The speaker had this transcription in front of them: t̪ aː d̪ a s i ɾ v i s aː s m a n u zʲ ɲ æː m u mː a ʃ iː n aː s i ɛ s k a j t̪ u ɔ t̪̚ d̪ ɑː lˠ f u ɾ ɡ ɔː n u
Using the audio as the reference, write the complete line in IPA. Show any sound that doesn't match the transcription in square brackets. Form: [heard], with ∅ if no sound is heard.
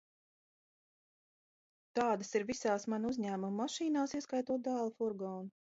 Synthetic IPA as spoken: t̪ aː d̪ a s i ɾ v i s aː s m a n u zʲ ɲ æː m u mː a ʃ iː n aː s i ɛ s k a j t̪ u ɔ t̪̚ d̪ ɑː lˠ f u ɾ ɡ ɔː n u